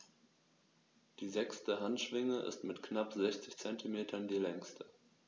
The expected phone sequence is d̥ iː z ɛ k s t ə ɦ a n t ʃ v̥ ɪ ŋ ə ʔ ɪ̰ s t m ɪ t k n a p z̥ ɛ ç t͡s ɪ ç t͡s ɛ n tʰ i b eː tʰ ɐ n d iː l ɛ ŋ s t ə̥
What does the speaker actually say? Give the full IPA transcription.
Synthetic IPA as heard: d̥ iː z ɛ k s t ə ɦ a n t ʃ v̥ ɪ ŋ ə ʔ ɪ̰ s t m ɪ t k n a p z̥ ɛ ç t͡s ɪ ç t͡s ɛ n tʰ i m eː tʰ ɐ n d iː l ɛ ŋ s t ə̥